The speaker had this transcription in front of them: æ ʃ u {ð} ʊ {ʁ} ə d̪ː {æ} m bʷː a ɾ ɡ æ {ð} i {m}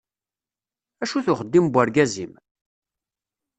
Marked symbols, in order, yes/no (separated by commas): no, no, no, no, yes